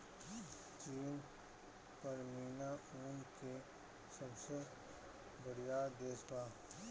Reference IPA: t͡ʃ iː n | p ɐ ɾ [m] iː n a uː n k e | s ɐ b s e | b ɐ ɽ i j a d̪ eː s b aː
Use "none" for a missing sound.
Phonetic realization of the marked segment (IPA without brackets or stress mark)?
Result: m